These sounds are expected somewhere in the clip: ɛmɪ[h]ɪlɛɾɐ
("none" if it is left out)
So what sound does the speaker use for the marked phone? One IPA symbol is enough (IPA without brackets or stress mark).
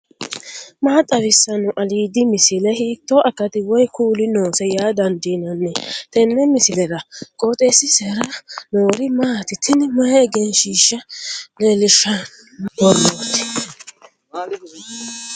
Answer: s